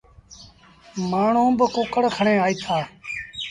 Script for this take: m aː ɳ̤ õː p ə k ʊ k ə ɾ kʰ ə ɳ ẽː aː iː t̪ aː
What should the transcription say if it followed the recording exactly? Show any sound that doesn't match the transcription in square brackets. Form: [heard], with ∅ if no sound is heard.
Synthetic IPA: m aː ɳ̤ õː [b] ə k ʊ k ə [ɽ] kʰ ə ɳ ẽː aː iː [t̪ʰ] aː